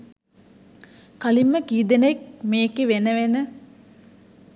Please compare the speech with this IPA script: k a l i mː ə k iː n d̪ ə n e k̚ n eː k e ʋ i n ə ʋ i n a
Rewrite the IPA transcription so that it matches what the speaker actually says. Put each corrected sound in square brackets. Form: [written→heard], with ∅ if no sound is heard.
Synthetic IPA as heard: k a l i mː ə k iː [n→∅] d̪ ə n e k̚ [n→m] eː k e ʋ [i→e] n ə ʋ [i→e] n [a→ə]